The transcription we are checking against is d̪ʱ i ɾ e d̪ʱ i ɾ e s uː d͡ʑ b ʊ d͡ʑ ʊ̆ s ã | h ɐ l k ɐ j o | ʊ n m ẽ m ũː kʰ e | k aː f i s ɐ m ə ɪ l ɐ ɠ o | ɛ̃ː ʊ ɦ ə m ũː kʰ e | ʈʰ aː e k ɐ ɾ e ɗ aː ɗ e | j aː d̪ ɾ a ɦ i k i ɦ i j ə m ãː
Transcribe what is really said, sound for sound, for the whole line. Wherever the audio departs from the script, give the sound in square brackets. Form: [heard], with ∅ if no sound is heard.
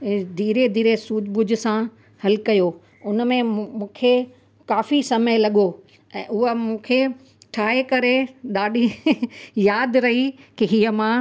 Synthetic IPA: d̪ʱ [iː] ɾ e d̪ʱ [iː] ɾ e s uː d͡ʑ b ʊ d͡ʑ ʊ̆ s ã | h ɐ l k ɐ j o | ʊ n m ẽ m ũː kʰ e | k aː f i s ɐ m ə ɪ l ɐ ɠ o | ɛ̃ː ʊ ɦ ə m ũː kʰ e | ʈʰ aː e k ɐ ɾ e ɗ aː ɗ [i] | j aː d̪ ɾ [ɐ] ɦ i k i ɦ i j ə m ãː